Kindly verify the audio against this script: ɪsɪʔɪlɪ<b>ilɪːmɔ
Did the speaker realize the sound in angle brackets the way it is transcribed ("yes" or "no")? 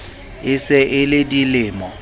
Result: no